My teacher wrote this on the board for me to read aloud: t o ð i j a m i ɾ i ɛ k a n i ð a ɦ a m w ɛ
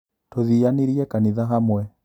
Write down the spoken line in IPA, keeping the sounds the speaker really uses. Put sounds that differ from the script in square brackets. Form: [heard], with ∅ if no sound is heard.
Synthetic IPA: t o ð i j a [n] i ɾ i ɛ k a n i ð a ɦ a m w ɛ